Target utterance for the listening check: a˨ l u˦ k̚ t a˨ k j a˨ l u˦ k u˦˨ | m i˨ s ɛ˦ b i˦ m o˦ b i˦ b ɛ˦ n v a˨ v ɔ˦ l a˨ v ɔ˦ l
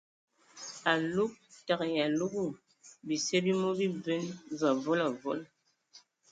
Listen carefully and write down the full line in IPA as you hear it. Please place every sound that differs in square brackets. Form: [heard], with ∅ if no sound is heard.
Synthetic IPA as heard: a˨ l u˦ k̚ t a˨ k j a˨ l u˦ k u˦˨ | [b] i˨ s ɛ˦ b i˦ m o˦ b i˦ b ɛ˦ n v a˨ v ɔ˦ l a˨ v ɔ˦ l